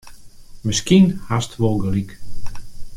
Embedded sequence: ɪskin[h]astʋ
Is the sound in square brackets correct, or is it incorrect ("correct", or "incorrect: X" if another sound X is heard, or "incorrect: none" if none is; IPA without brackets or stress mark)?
correct